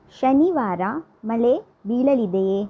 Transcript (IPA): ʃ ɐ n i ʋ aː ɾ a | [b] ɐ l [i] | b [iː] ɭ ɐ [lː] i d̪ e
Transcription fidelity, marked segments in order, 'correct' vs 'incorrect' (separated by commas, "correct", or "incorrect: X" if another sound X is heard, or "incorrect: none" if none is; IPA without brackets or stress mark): incorrect: m, incorrect: e, correct, incorrect: l